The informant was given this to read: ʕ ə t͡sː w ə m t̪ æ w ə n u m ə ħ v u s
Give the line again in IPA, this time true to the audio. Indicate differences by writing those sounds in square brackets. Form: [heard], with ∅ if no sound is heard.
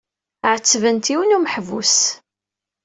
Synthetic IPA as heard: ʕ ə t͡sː [v] ə [n] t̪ [i] w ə n u m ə ħ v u s